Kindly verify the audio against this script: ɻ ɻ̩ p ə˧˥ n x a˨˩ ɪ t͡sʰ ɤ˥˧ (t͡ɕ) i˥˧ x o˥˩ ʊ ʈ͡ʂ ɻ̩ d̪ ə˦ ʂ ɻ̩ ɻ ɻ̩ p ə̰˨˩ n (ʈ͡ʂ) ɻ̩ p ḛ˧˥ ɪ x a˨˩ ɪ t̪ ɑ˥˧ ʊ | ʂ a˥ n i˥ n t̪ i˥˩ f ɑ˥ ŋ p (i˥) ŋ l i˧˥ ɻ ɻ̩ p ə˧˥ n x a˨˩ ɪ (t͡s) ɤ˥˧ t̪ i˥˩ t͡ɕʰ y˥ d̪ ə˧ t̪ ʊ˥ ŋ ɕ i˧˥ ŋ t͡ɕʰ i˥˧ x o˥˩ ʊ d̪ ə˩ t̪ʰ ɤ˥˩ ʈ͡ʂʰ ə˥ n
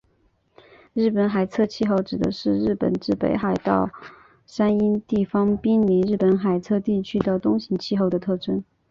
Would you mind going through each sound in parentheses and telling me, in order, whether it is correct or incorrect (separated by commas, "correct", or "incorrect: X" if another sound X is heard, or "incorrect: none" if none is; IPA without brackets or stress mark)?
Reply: incorrect: t͡ɕʰ, correct, correct, incorrect: t͡sʰ